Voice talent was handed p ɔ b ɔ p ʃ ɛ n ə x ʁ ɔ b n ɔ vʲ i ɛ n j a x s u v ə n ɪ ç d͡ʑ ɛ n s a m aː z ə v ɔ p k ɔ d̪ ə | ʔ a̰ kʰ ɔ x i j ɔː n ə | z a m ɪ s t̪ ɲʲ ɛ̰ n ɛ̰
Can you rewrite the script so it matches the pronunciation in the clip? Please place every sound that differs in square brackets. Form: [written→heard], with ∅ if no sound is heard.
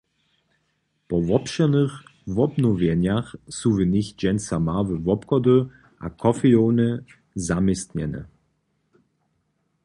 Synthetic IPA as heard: p ɔ [b→v] ɔ p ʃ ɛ n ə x [ʁ→v] ɔ b n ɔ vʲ [i→j] ɛ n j a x s u v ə n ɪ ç d͡ʑ ɛ n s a m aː [z→v] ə v ɔ p k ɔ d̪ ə | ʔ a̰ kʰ ɔ [x→f] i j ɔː n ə | z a m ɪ s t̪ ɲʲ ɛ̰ n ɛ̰